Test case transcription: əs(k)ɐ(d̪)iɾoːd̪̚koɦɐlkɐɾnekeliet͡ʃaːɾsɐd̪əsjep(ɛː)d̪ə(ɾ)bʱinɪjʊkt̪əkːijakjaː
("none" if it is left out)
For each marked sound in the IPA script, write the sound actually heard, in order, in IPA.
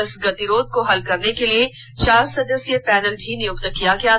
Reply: ɡ, t̪, ɛː, l

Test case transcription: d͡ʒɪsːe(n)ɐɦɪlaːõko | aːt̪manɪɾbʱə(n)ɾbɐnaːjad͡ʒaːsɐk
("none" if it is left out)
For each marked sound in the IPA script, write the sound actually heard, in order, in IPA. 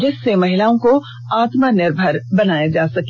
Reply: m, none

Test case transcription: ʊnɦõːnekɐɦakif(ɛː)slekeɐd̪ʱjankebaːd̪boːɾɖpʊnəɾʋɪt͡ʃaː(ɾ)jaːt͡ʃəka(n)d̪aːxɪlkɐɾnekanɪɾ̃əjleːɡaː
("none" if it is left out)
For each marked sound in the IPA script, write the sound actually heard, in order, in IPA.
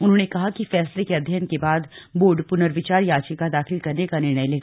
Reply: ɛː, ɾ, none

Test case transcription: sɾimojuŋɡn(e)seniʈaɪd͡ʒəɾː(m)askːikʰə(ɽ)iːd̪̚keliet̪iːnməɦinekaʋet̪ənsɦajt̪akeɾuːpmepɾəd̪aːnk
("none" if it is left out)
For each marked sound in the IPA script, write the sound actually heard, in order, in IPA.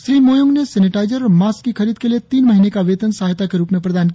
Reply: e, m, ɾ

